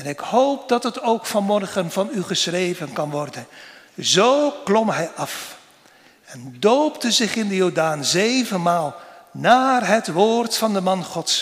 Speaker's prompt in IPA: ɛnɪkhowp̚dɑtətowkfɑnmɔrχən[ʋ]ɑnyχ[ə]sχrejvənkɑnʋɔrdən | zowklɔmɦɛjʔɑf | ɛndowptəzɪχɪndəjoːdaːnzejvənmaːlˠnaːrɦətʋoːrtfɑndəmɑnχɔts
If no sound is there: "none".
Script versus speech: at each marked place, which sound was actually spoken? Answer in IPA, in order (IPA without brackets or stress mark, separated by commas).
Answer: v, ə